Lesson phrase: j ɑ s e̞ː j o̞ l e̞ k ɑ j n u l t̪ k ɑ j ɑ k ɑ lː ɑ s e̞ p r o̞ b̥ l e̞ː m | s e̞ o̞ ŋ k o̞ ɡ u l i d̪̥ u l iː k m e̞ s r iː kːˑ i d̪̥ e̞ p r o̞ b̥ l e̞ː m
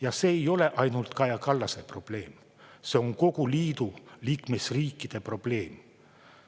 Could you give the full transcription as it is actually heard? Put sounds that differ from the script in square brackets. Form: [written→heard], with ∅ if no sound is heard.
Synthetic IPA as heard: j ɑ s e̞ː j o̞ l e̞ [k→ʔ] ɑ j n u l t̪ k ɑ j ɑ k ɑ lː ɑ s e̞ p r o̞ b̥ l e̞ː m | s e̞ o̞ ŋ k o̞ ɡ u l [i→iː] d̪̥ u l iː k m e̞ s r iː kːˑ i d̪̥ e̞ p r o̞ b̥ l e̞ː m